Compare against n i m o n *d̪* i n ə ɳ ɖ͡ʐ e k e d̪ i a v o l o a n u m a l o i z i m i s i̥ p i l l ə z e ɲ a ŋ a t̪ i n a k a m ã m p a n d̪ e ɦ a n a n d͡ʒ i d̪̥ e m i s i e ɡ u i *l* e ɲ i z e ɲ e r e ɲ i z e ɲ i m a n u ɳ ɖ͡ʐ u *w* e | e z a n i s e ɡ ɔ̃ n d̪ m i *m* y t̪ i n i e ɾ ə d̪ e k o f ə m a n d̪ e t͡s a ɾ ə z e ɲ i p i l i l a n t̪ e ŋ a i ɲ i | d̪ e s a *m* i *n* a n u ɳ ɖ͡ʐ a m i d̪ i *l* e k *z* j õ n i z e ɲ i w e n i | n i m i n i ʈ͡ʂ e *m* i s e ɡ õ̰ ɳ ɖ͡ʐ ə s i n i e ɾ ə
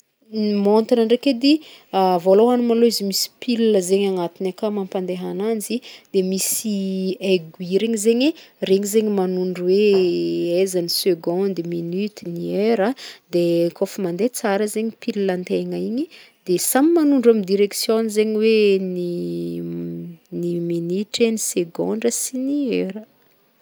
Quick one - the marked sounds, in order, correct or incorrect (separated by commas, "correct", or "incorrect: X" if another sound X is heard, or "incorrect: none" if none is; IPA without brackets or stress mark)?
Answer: incorrect: t̪, incorrect: ɾ, correct, incorrect: n, correct, incorrect: m, incorrect: ɾ, incorrect: s, incorrect: n